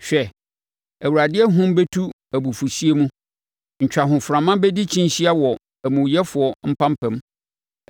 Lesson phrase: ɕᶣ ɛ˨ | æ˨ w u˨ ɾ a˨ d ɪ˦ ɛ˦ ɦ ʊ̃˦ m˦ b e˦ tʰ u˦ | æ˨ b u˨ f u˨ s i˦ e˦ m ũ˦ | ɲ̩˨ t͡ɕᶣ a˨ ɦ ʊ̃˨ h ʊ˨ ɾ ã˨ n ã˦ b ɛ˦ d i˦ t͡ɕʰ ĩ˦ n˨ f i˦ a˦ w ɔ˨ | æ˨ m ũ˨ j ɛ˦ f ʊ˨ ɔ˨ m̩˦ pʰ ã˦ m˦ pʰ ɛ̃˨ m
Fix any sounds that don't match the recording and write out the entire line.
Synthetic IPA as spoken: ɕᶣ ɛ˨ | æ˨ w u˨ ɾ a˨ d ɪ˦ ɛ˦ ɦ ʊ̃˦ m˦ b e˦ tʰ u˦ | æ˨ b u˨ f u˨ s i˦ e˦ m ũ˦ | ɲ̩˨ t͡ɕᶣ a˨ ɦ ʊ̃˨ f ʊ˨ ɾ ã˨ m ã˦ b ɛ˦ d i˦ t͡ɕʰ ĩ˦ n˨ ɕ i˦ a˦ w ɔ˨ | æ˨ m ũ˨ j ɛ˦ f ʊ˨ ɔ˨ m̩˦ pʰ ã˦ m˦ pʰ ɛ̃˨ m